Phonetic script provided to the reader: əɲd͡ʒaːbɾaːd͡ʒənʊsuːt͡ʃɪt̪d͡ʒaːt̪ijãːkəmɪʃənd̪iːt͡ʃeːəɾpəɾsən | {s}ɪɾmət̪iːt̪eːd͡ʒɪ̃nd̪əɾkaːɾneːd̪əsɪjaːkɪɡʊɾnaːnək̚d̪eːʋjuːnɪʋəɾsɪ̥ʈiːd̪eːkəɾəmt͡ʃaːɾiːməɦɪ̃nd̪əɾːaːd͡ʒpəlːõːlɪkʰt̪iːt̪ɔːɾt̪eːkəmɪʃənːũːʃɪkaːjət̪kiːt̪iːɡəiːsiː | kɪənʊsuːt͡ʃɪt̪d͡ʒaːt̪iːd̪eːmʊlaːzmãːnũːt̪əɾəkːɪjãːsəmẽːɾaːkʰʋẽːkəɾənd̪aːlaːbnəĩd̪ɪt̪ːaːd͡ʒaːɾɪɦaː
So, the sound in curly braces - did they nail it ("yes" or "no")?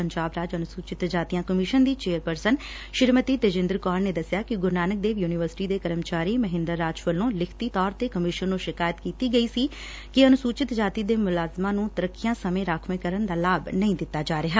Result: no